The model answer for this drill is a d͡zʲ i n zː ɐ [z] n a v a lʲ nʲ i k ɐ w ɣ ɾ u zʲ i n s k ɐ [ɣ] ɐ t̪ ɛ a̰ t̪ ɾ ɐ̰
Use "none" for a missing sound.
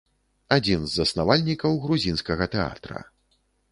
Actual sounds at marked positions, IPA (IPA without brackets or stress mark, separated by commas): s, ɣ